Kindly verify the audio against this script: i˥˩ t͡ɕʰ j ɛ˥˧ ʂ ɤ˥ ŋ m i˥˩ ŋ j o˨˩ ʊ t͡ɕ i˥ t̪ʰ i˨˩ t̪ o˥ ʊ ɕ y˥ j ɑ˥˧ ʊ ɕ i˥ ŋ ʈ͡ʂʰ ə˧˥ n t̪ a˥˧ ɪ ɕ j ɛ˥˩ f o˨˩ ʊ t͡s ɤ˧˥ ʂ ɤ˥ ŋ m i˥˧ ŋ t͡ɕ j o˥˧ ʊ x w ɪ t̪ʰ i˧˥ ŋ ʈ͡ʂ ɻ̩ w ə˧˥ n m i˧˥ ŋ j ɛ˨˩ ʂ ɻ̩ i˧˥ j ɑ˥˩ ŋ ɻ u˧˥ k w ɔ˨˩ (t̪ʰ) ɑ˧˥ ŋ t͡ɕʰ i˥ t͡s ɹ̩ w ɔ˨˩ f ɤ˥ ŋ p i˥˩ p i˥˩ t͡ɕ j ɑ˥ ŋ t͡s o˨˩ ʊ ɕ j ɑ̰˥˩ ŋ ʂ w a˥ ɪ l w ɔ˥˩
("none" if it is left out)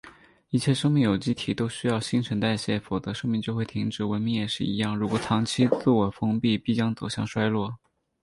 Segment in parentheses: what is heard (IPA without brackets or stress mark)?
t̪ʰ